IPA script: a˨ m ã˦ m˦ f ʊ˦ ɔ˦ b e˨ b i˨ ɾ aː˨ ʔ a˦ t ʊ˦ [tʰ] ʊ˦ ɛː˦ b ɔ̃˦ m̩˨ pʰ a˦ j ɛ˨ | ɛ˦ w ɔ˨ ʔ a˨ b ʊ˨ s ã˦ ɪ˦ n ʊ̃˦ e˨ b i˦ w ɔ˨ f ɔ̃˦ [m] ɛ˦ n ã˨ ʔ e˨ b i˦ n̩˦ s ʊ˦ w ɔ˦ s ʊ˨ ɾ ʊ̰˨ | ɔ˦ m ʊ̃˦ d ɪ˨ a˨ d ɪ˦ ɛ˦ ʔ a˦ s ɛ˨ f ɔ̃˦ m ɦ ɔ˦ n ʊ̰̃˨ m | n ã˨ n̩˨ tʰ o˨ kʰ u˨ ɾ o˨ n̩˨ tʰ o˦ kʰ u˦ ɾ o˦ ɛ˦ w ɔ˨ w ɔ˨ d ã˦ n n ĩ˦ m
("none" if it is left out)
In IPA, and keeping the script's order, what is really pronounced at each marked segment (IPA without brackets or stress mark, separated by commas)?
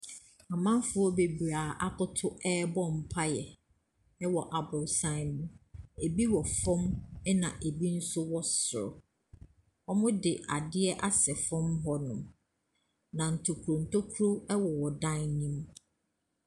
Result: tʰ, m